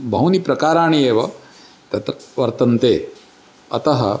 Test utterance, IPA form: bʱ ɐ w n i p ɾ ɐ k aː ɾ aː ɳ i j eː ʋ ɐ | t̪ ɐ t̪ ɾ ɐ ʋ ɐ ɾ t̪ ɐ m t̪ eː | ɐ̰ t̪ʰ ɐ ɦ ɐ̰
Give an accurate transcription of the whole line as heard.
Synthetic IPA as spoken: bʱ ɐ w n i p ɾ ɐ k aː ɾ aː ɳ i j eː ʋ ɐ | t̪ ɐ t̪ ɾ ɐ ʋ ɐ ɾ t̪ ɐ n t̪ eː | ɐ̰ t̪ ɐ ɦ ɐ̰